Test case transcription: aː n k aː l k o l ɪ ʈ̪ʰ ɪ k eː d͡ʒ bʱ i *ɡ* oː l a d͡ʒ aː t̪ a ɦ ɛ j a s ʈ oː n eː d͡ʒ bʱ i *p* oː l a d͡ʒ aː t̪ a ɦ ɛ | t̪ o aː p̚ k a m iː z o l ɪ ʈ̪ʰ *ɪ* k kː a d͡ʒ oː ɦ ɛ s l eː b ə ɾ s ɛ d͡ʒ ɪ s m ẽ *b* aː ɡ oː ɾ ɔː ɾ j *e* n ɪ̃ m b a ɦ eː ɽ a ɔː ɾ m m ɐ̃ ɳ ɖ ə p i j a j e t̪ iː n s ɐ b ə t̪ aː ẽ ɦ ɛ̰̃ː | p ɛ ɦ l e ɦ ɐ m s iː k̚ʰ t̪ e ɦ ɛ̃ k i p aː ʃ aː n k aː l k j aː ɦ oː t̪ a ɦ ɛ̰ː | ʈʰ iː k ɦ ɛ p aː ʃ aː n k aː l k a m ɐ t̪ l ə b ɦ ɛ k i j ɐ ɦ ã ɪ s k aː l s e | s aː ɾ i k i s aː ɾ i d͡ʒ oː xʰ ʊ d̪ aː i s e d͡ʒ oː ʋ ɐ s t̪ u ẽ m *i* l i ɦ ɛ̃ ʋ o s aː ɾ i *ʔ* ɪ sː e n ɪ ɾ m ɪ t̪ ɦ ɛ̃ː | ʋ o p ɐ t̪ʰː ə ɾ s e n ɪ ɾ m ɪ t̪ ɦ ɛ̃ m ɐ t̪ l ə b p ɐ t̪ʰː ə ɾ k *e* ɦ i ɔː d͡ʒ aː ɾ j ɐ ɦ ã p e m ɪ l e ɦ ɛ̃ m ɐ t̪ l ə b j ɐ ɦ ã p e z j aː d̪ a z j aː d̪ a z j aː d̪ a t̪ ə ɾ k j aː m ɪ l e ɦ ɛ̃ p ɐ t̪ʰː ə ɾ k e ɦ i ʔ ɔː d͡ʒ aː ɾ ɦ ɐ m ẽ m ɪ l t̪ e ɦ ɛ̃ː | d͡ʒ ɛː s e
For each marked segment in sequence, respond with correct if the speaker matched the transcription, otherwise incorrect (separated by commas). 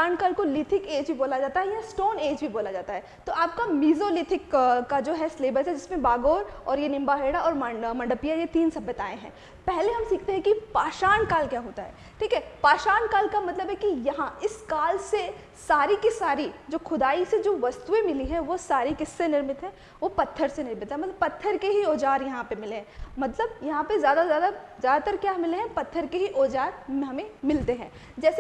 incorrect, incorrect, correct, correct, correct, incorrect, incorrect, correct